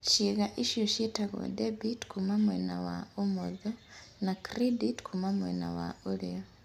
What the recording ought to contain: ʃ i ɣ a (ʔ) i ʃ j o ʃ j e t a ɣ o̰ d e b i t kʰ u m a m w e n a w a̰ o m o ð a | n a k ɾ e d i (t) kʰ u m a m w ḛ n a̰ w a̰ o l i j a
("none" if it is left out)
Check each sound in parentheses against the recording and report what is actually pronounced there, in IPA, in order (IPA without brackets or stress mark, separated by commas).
ʔ, t